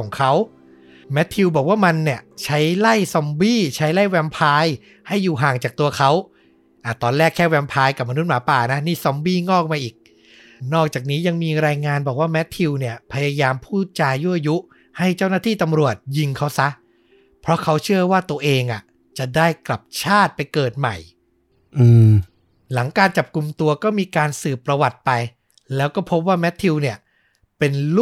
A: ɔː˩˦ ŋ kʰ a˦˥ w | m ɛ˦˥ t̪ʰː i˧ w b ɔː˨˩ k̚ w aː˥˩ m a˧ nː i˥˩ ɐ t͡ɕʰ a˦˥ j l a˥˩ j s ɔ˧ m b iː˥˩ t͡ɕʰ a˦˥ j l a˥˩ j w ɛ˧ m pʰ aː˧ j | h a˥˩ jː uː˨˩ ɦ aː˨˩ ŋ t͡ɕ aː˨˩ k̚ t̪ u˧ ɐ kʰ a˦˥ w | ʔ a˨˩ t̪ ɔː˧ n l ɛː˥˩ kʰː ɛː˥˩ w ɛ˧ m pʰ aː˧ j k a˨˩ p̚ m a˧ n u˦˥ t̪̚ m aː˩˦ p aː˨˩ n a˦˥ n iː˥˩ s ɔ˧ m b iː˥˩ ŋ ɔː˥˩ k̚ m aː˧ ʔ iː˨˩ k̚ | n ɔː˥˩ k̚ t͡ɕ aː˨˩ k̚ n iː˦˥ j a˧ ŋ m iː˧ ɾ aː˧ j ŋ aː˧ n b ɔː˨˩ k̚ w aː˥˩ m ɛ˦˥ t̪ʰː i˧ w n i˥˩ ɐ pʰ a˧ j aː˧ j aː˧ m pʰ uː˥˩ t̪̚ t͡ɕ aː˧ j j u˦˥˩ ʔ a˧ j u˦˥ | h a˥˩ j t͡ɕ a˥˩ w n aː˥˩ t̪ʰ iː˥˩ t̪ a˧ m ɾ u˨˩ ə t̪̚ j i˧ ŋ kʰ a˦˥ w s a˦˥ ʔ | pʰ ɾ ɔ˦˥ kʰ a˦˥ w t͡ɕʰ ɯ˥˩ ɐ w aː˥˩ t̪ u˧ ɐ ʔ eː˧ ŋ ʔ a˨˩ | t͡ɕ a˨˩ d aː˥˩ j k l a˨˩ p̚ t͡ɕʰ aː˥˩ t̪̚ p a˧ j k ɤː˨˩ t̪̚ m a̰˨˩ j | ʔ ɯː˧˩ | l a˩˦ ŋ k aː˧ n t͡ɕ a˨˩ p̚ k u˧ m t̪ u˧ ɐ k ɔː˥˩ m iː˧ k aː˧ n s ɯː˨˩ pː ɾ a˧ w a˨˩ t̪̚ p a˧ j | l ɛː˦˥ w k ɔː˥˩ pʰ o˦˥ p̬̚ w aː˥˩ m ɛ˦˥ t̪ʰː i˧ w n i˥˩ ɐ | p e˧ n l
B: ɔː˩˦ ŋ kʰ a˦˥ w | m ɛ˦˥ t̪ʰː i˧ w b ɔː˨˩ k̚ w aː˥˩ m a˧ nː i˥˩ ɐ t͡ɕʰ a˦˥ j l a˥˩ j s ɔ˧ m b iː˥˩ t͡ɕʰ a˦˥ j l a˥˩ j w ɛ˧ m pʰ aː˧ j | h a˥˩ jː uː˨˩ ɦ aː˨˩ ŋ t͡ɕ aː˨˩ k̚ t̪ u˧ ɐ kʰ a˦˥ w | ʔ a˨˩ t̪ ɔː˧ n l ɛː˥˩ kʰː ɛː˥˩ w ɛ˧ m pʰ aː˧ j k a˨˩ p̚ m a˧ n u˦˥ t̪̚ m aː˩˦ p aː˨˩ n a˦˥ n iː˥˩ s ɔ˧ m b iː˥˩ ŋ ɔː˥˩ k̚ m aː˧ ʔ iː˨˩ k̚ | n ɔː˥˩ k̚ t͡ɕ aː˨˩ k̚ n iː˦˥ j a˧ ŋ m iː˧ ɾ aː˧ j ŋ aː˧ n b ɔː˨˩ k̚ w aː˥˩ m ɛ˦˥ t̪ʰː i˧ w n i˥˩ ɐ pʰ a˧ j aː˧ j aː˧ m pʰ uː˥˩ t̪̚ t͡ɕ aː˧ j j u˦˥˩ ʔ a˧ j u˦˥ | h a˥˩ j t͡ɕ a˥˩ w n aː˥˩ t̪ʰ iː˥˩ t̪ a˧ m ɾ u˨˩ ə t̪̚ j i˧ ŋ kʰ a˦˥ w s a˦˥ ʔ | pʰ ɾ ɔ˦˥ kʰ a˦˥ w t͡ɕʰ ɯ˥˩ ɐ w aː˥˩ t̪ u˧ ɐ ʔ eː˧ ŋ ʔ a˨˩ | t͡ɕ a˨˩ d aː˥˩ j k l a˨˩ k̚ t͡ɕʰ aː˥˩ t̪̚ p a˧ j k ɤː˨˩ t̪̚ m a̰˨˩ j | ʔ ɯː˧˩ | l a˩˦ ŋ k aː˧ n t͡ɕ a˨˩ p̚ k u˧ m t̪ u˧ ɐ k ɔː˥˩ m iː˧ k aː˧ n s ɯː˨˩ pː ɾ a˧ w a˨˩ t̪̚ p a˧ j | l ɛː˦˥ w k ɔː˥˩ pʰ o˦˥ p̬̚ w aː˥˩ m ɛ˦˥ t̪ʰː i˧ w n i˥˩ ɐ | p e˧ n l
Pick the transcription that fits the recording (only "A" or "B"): A